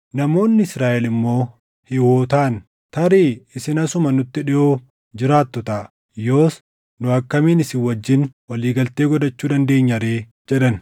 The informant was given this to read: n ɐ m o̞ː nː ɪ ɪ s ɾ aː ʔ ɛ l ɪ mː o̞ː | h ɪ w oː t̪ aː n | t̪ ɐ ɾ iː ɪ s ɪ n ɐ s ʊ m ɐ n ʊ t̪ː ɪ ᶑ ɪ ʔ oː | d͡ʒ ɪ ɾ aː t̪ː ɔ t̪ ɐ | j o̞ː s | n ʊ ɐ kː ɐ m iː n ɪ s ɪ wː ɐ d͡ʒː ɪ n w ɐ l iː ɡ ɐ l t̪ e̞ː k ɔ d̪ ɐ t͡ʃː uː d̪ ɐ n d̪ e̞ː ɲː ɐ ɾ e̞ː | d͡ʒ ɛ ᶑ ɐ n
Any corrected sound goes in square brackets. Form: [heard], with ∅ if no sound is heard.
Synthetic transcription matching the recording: n ɐ m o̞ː nː ɪ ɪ s ɾ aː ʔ ɛ l ɪ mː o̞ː | h ɪ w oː t̪ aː n | t̪ ɐ ɾ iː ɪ s ɪ n ɐ s ʊ m ɐ n ʊ t̪ː ɪ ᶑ ɪ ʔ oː | d͡ʒ ɪ ɾ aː t̪ː ɔ t̪ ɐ | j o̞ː s | n ʊ ɐ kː ɐ m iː n ɪ s ɪ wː ɐ d͡ʒː ɪ n w ɐ l iː ɡ ɐ l t̪ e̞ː [ɡ] ɔ d̪ ɐ t͡ʃː uː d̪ ɐ n d̪ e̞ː ɲː ɐ ɾ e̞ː | d͡ʒ ɛ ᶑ ɐ n